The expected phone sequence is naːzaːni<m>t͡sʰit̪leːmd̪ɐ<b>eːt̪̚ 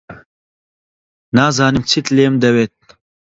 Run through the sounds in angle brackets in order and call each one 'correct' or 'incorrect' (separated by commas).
correct, incorrect